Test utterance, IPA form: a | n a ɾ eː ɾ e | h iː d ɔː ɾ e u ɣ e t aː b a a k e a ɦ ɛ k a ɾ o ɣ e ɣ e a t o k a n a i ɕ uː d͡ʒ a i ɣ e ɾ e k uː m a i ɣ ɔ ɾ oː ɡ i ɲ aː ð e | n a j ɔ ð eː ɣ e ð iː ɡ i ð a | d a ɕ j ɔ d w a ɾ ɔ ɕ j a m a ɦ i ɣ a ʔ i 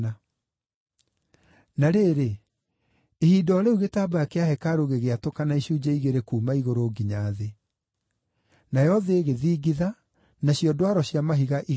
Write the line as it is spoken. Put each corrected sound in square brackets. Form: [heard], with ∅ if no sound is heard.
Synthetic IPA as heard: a | n a ɾ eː ɾ e | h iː d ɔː ɾ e u ɣ e t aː b a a k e a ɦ ɛ k a ɾ o ɣ e ɣ e a t o k a n a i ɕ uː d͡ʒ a i ɣ e ɾ e k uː m a i ɣ [o] ɾ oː ɡ i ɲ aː ð e | n a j ɔ ð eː ɣ e ð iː ɡ i ð a | [n] a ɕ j ɔ d w a ɾ ɔ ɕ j a m a ɦ i ɣ a ʔ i